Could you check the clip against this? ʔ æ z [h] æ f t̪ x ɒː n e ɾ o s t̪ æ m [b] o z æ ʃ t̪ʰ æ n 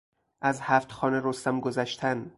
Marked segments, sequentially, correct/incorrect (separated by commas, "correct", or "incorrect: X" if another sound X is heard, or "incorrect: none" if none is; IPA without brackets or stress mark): correct, incorrect: ɡ